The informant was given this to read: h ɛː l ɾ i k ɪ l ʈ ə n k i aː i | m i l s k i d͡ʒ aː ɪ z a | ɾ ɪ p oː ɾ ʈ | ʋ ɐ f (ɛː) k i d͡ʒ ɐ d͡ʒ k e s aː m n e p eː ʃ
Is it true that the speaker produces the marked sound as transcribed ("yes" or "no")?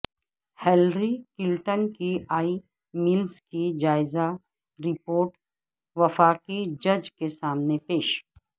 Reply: no